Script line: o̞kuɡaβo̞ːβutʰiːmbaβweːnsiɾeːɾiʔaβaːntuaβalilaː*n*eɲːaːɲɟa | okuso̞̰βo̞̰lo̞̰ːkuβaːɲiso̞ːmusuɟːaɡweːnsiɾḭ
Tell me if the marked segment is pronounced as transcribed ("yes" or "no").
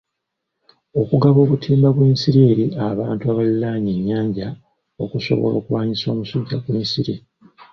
no